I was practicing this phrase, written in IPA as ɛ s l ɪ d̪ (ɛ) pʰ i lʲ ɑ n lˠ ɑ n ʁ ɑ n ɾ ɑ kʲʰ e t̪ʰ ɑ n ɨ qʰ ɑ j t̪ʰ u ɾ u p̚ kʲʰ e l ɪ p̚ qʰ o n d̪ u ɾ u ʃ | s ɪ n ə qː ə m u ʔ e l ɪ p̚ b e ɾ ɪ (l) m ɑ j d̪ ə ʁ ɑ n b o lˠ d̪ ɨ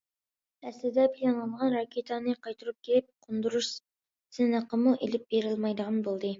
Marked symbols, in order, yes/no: yes, yes

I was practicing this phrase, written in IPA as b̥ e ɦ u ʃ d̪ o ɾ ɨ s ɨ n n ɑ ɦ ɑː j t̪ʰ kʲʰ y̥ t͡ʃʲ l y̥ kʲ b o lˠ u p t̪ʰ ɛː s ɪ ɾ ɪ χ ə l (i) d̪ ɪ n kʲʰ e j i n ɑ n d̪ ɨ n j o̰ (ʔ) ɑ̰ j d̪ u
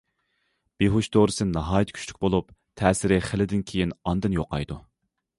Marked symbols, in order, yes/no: no, no

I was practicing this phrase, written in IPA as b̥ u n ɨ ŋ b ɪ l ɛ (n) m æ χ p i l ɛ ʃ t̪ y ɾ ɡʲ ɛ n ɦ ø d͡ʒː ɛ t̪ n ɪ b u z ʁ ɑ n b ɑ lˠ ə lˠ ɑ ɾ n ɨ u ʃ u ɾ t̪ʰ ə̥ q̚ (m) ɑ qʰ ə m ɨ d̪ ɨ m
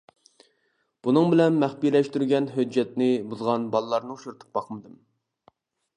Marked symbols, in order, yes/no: yes, no

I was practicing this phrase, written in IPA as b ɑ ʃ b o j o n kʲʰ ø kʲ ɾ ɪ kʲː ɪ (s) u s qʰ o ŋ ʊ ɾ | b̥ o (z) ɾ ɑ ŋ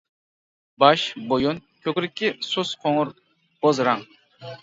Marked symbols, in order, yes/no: yes, yes

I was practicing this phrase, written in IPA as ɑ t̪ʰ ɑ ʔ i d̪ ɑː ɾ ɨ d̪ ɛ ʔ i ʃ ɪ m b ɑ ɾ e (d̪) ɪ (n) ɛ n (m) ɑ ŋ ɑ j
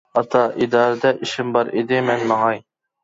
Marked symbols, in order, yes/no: yes, no, yes

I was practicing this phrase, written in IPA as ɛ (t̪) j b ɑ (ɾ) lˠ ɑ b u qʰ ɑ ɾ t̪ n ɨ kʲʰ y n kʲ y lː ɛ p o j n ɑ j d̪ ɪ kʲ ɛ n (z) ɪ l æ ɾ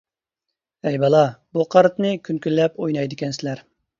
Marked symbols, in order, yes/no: no, no, no

